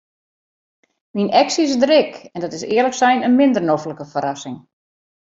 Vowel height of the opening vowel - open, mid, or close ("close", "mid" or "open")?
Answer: close